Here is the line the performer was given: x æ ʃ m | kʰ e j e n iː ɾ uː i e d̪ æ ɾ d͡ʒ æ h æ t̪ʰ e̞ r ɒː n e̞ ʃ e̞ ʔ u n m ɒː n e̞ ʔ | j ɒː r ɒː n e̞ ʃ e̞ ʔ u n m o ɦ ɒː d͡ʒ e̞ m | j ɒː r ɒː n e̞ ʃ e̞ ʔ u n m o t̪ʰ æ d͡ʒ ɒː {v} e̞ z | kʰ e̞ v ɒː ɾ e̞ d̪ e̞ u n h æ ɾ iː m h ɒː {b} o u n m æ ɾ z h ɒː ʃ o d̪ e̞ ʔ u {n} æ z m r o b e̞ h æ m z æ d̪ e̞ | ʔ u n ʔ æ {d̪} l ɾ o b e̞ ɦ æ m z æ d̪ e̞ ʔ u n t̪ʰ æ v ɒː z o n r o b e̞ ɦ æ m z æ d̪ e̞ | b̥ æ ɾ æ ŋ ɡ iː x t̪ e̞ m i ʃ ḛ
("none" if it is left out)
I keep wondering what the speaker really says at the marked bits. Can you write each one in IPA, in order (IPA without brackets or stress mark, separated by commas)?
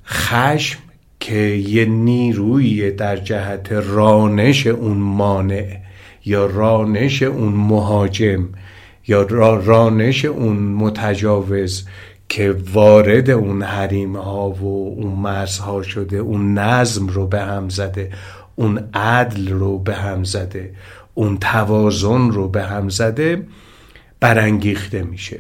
v, v, nː, d̪